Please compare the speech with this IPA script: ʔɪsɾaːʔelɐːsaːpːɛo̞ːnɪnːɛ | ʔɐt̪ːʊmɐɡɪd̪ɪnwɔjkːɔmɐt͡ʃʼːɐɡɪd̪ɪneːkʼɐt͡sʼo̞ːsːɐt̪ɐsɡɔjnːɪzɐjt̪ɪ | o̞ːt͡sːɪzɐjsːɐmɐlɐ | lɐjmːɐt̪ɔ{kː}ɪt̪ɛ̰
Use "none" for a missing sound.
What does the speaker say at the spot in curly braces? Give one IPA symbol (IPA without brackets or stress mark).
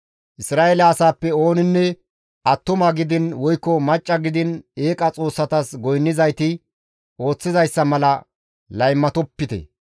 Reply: pː